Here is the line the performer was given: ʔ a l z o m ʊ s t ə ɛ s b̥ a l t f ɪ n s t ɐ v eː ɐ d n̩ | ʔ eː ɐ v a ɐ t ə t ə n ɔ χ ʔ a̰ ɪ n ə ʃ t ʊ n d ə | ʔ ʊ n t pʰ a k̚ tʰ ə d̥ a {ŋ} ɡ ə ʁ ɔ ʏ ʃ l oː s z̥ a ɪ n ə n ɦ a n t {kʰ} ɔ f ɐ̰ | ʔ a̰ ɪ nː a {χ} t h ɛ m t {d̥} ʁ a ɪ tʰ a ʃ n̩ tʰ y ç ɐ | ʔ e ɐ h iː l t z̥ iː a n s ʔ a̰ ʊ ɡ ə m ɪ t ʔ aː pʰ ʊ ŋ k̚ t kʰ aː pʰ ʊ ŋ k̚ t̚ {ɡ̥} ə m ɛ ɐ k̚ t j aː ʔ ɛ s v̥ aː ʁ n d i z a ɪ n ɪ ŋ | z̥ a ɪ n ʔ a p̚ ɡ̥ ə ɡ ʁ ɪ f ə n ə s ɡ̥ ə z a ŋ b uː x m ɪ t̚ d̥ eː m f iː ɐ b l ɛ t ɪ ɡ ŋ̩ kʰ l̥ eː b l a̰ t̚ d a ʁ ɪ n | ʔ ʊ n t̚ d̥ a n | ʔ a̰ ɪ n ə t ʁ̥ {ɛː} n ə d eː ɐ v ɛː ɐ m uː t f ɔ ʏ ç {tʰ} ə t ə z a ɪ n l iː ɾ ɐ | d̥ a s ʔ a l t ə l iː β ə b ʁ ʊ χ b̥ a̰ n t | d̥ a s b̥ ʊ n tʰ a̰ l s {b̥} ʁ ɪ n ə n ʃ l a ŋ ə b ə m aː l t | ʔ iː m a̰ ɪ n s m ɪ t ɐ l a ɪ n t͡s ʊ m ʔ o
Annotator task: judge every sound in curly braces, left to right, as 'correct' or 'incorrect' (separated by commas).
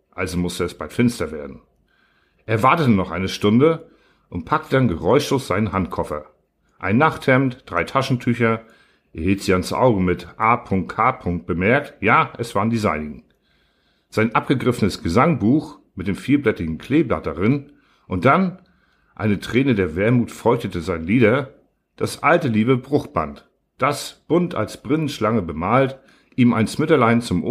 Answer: incorrect, correct, correct, correct, incorrect, correct, incorrect, correct